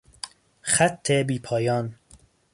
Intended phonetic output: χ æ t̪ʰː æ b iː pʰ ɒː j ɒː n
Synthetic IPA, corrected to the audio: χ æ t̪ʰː e b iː pʰ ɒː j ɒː n